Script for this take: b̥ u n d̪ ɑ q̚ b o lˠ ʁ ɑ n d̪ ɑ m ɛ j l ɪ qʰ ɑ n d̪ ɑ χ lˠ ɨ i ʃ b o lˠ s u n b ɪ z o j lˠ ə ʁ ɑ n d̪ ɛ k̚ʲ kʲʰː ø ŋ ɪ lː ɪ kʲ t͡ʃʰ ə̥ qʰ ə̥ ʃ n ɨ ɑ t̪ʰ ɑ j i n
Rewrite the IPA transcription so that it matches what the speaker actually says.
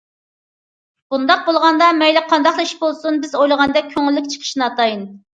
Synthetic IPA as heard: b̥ u n d̪ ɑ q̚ b o lˠ ʁ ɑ n d̪ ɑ m ɛ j l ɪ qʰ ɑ n d̪ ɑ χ lˠ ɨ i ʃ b o lˠ s u n b ɪ z o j lˠ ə ʁ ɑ n d̪ ɛ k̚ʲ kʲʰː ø ŋ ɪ lː ɪ kʲ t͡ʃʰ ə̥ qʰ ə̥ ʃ n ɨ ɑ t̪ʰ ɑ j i n